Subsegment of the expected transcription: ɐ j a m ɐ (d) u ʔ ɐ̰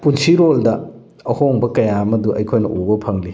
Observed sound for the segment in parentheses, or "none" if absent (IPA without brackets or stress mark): d